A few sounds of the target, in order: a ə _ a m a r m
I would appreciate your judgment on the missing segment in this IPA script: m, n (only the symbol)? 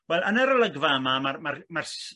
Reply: m